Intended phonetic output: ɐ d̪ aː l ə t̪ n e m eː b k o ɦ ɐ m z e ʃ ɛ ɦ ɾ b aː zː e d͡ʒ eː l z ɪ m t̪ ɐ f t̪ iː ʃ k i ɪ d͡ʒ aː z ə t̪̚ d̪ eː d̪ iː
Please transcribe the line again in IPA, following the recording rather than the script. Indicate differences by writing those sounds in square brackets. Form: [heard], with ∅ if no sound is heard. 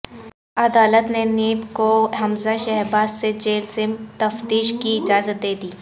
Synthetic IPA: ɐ d̪ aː l ə t̪ n e [n] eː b k o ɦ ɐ m z [a] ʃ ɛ ɦ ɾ b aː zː e d͡ʒ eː l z ɪ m t̪ ɐ f t̪ iː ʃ k i ɪ d͡ʒ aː z ə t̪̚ d̪ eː d̪ iː